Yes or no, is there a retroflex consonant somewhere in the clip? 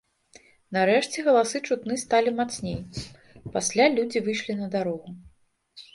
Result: yes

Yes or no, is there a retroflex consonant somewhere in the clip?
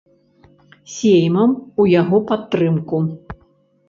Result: no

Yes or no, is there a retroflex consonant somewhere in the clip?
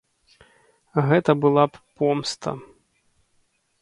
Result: no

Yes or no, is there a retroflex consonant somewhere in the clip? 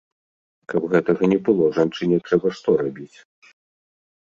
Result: yes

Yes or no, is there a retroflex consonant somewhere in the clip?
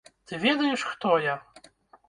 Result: yes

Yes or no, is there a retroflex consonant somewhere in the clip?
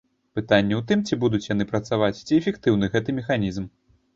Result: no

